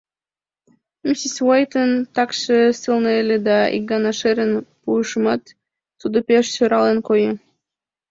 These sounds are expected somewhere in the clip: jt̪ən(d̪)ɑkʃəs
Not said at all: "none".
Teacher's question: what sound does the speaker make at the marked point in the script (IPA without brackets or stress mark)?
t̪